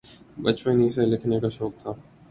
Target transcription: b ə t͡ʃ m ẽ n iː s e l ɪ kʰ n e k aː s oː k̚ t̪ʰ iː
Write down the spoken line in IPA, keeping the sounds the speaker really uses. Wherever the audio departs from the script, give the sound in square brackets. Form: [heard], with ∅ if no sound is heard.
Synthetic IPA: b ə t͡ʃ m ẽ n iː s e l ɪ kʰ n e k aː [ʃ] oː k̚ t̪ʰ [aː]